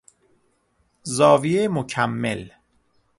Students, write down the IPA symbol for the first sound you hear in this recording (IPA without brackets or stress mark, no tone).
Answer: z